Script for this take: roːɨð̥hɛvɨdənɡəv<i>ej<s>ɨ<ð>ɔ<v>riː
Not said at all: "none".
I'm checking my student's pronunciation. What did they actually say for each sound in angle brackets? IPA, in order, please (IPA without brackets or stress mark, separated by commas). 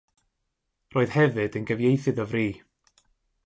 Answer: j, θ, ð, v